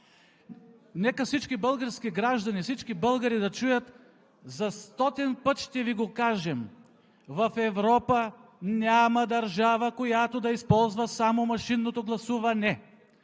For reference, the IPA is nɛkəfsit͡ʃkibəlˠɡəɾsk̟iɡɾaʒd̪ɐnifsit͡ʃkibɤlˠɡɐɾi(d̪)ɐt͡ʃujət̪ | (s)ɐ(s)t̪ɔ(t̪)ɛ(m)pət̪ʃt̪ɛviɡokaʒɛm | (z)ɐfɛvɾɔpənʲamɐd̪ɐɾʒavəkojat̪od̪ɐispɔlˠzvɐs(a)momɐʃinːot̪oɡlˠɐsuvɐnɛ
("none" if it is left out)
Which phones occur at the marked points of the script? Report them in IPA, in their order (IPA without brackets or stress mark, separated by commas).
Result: d̪, z, s, t̪, n, v, a